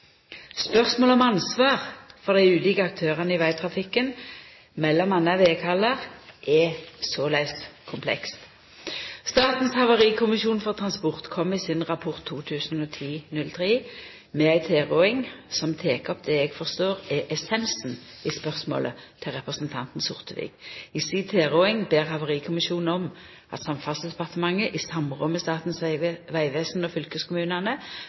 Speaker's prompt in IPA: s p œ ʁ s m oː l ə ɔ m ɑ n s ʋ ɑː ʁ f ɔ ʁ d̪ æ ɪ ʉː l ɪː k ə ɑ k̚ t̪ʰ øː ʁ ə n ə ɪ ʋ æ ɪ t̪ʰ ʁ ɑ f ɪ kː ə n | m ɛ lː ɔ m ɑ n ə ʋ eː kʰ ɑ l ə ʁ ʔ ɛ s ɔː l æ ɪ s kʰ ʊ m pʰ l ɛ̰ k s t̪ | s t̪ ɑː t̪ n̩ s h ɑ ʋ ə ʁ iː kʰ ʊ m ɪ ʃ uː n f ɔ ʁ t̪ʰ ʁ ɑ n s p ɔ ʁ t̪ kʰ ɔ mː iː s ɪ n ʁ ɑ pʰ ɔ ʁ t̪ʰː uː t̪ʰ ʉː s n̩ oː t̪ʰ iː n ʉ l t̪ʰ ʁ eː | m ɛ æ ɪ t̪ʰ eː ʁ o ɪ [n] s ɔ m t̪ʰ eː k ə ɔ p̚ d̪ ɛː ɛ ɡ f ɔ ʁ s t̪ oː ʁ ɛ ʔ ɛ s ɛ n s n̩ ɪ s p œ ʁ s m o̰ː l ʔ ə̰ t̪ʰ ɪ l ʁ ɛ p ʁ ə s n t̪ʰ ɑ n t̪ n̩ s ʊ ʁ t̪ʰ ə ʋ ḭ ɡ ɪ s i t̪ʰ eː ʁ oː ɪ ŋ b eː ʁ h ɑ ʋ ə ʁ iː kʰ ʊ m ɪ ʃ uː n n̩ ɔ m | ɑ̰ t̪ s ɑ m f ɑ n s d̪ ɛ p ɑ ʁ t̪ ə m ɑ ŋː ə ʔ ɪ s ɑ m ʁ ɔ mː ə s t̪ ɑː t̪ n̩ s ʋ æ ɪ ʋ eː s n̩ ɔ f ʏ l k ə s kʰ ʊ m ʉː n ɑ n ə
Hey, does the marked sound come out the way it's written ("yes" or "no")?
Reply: no